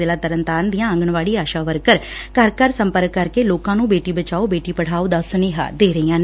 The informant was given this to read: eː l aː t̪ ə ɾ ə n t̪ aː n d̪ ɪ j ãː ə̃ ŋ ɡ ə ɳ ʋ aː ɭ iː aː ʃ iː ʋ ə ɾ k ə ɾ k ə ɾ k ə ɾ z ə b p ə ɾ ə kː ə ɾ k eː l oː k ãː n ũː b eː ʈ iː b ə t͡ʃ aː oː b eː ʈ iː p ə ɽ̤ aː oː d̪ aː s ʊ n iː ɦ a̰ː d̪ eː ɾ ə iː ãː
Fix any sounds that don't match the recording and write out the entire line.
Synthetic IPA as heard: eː l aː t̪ ə ɾ ə n t̪ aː n d̪ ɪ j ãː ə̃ ŋ ɡ ə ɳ ʋ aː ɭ iː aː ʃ aː ʋ ə ɾ k ə ɾ k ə ɾ k ə ɾ s ə m p ə ɾ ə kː ə ɾ k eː l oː k ãː n ũː b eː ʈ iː b ə t͡ʃ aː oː b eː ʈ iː p ə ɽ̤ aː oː d̪ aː s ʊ n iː ɦ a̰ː d̪ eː ɾ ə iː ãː